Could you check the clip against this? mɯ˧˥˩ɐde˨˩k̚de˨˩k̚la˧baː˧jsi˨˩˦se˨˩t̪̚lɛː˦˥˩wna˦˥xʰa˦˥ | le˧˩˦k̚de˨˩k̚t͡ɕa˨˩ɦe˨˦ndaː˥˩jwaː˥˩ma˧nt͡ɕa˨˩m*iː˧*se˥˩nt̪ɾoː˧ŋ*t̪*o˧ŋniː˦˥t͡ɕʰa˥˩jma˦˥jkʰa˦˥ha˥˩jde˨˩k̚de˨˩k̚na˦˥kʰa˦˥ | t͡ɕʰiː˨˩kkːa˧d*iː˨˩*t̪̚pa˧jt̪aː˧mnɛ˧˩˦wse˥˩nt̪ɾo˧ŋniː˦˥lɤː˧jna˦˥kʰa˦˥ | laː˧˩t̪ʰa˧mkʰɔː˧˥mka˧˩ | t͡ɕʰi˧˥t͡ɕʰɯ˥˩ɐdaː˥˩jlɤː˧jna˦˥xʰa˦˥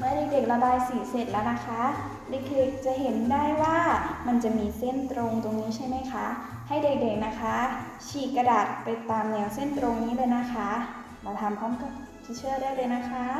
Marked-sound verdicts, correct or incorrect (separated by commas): correct, correct, incorrect